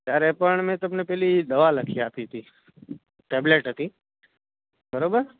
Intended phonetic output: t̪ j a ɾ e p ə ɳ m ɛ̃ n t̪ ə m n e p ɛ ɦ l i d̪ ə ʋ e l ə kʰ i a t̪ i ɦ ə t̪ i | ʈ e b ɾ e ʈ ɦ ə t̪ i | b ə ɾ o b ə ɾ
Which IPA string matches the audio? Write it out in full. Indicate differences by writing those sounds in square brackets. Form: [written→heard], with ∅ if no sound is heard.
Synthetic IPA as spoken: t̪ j a ɾ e p ə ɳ m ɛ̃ [n→∅] t̪ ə m n e p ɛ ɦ l i d̪ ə ʋ [e→a] l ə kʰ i a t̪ i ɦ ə t̪ i | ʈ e b [ɾ→l] e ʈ ɦ ə t̪ i | b ə ɾ o b ə ɾ